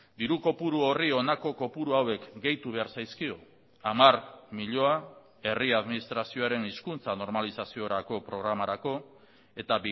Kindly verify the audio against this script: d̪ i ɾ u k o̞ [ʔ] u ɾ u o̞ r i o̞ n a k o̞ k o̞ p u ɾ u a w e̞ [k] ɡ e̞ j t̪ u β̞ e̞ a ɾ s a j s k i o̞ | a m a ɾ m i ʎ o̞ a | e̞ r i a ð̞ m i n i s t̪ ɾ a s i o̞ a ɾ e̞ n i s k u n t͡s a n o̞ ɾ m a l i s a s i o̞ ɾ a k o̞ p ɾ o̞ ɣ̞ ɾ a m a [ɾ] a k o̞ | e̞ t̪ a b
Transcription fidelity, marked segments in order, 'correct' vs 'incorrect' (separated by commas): incorrect, correct, correct